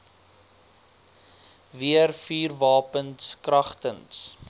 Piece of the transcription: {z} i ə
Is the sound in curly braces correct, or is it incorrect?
incorrect